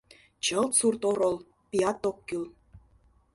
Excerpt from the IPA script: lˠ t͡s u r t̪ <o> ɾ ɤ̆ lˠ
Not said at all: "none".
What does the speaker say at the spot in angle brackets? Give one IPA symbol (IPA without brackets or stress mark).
o